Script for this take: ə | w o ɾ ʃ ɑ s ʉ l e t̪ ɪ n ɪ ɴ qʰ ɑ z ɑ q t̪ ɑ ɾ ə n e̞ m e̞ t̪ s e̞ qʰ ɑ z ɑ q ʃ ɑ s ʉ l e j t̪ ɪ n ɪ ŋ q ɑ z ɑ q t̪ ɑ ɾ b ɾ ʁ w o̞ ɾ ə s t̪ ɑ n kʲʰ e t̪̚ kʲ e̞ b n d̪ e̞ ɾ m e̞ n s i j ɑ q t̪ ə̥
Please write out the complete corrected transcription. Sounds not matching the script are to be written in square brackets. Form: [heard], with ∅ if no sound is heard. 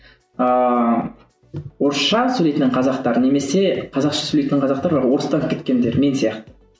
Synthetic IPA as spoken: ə | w o ɾ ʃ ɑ s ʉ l e t̪ ɪ n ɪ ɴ qʰ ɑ z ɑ q t̪ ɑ ɾ ə n e̞ m e̞ [∅] s e̞ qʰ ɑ z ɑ q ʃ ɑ s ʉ l e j t̪ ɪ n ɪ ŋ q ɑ z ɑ q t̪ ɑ ɾ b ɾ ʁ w o̞ ɾ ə s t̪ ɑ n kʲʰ e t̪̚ kʲ e̞ [∅] n d̪ e̞ ɾ m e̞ n s i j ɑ q t̪ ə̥

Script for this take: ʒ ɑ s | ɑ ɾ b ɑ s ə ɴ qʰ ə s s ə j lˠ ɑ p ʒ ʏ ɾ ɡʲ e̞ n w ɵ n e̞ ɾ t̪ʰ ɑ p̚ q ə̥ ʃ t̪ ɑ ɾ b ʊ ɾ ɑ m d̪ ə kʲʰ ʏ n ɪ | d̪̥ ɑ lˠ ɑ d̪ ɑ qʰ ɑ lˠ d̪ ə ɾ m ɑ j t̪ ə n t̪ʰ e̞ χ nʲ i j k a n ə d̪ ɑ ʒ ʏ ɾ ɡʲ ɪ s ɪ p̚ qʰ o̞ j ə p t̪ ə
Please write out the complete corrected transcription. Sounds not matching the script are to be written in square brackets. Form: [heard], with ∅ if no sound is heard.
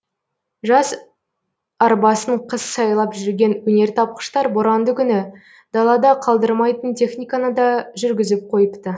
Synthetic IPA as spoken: ʒ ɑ s | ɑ ɾ b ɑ s ə ɴ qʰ ə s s [ɑ] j lˠ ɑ p ʒ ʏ ɾ ɡʲ e̞ n w ɵ n e̞ ɾ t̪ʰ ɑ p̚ q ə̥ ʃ t̪ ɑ ɾ b ʊ ɾ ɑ [n] d̪ ə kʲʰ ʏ n ɪ | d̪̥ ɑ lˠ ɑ d̪ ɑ qʰ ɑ lˠ d̪ ə ɾ m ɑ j t̪ ə n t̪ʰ e̞ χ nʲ i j k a n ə d̪ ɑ ʒ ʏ ɾ ɡʲ ɪ [z] ɪ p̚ qʰ o̞ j ə p t̪ ə

